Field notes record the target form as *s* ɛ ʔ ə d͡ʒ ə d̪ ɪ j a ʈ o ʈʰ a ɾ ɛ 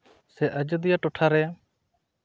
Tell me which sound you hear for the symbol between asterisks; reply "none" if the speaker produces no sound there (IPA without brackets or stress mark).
s